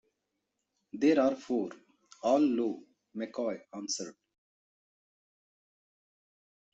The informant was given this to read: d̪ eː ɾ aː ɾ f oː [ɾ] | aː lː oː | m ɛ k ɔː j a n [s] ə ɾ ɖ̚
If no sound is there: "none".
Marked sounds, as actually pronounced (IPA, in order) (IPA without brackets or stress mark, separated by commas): ɾ, s